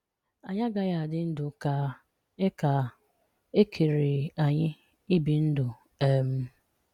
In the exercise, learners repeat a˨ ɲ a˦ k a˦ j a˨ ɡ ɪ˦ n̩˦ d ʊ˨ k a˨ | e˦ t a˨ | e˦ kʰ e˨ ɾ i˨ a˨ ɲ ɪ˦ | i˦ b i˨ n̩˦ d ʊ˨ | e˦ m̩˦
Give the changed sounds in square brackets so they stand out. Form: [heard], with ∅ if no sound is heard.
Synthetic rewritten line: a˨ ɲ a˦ [ɡ] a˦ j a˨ [d] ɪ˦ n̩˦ d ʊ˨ k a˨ | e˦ [k] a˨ | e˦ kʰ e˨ ɾ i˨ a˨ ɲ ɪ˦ | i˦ b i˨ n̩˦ d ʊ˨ | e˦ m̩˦

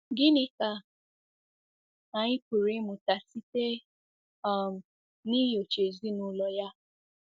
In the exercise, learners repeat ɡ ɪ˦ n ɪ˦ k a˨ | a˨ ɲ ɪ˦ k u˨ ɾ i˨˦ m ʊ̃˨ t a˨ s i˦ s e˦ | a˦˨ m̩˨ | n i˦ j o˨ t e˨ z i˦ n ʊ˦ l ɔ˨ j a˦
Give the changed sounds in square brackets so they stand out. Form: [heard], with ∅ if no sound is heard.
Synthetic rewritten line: ɡ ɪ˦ n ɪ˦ k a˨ | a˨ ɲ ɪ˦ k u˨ ɾ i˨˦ m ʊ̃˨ t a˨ s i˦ [t] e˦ | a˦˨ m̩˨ | n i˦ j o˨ [t͡ʃ] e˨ z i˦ n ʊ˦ l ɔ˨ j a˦

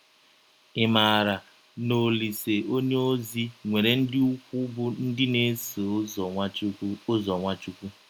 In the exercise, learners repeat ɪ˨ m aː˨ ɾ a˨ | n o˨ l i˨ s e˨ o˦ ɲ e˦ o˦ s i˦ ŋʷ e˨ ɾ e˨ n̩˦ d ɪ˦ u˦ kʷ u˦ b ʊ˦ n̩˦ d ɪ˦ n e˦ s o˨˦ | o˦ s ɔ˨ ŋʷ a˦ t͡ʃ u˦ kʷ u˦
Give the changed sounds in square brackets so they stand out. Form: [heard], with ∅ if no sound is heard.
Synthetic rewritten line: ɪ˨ m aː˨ ɾ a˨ | n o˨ l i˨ s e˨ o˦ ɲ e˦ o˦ [z] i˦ ŋʷ e˨ ɾ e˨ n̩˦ d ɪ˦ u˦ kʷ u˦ b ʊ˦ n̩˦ d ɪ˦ n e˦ s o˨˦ | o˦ [z] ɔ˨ ŋʷ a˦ t͡ʃ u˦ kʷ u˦

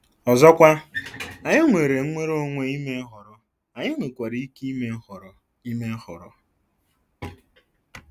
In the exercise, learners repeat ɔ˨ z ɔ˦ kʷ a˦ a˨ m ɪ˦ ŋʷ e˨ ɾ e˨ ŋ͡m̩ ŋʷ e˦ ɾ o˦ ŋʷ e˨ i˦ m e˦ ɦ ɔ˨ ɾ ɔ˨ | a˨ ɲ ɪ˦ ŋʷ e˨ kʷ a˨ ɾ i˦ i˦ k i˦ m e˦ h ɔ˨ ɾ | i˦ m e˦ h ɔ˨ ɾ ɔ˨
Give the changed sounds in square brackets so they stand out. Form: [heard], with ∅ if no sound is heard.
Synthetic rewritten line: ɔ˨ z ɔ˦ kʷ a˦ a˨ [ɲ] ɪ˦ ŋʷ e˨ ɾ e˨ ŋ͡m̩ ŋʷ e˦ ɾ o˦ ŋʷ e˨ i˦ m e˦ ɦ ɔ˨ ɾ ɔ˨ | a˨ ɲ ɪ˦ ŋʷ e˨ kʷ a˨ ɾ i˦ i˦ k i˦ m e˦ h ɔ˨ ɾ | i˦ m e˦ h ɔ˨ ɾ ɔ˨

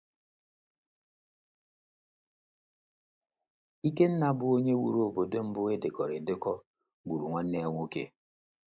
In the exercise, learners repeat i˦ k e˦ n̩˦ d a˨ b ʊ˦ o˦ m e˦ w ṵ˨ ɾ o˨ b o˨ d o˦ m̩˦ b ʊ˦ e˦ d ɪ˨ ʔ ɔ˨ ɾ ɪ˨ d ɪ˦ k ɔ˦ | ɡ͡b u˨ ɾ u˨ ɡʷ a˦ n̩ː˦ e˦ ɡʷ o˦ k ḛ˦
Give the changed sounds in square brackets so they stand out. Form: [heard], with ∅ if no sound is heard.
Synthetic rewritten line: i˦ k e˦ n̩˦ [n] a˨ b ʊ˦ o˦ [ɲ] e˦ w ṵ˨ ɾ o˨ b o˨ d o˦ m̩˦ b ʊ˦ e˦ d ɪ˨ [k] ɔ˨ ɾ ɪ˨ d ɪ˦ k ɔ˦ | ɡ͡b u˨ ɾ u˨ [ŋʷ] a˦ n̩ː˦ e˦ [ŋʷ] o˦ k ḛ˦

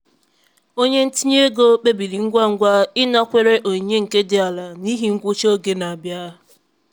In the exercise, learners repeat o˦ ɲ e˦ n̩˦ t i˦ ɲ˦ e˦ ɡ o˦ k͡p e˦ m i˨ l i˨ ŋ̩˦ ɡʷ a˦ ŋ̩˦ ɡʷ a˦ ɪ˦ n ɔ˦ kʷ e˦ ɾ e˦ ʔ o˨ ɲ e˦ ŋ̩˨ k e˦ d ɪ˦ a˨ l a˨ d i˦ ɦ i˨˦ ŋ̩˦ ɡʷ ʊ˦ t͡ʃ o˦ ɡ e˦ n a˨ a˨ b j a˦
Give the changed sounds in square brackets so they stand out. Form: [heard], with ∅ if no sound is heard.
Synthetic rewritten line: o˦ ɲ e˦ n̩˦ t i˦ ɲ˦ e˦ ɡ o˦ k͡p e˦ [b] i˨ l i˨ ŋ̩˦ ɡʷ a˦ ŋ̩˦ ɡʷ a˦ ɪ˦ n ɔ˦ kʷ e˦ ɾ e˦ ʔ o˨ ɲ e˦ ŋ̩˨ k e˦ d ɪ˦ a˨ l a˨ [n] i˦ ɦ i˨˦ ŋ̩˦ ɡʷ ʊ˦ t͡ʃ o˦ ɡ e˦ n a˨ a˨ b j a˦

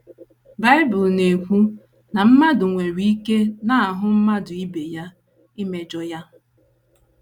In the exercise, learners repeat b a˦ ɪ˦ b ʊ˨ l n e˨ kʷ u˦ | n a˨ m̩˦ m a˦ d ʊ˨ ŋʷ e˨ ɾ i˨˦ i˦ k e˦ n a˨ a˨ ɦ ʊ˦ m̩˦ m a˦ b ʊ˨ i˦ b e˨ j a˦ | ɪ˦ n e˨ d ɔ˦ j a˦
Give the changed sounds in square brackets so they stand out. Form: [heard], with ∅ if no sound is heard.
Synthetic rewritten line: b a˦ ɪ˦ b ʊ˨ l n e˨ kʷ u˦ | n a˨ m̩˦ m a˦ d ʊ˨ ŋʷ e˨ ɾ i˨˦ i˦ k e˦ n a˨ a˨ ɦ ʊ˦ m̩˦ m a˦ [d] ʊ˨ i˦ b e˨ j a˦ | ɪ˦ [m] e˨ [d͡ʒ] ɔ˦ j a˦

